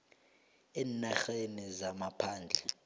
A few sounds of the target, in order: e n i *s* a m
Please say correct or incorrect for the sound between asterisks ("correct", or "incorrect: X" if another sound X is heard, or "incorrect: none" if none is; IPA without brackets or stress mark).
incorrect: z